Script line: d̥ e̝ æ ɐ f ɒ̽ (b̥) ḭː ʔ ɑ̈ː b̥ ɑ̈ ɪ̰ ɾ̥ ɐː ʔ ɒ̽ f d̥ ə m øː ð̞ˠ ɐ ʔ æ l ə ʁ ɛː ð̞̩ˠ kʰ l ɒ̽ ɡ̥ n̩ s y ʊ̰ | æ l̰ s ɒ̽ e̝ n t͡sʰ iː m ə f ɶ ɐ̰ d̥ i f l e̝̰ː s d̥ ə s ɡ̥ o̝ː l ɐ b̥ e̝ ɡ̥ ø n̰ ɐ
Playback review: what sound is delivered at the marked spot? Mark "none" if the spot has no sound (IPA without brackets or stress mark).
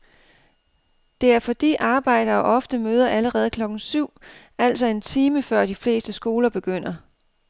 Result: d̥